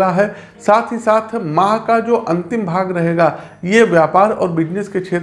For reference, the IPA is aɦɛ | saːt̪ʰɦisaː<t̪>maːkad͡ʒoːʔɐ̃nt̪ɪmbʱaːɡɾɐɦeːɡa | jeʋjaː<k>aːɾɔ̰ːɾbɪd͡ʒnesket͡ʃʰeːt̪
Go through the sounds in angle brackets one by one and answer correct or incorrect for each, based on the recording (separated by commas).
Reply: incorrect, incorrect